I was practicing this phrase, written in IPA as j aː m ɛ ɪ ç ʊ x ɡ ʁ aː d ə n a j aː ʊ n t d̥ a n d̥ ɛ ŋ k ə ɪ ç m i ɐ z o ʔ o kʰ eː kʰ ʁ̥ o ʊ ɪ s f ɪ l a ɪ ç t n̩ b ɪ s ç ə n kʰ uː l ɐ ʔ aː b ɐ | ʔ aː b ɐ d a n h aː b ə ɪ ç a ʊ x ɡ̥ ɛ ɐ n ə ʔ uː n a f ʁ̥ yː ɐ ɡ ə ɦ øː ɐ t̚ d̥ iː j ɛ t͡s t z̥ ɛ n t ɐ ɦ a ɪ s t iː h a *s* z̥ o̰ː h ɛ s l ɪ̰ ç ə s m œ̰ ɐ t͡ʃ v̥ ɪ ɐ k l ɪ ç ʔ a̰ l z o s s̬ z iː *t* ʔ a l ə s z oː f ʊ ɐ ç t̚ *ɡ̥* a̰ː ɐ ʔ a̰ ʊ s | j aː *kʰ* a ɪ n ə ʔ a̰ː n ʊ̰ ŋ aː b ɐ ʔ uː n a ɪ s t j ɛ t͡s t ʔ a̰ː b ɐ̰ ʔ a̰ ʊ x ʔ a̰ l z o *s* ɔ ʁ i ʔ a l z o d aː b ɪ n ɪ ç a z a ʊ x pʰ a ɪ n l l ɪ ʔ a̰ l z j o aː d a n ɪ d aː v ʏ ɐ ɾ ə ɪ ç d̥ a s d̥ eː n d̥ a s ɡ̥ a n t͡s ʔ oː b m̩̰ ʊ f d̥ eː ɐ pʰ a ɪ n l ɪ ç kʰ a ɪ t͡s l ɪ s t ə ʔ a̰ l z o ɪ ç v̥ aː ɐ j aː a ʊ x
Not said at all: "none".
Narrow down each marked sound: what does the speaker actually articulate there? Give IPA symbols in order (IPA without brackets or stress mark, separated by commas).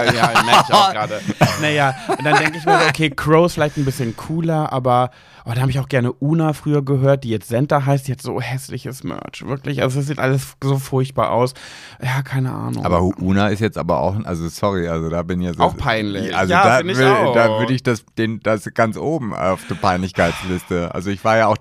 t, t, b̥, kʰ, s